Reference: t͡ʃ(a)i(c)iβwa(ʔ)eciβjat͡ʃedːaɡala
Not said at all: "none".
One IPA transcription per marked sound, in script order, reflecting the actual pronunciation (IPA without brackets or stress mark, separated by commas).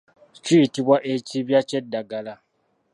i, t, ʔ